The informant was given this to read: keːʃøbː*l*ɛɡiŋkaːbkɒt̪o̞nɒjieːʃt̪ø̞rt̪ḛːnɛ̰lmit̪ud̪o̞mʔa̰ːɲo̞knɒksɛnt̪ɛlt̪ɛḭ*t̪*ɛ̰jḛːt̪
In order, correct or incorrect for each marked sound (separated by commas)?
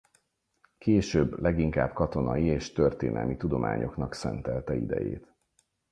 correct, incorrect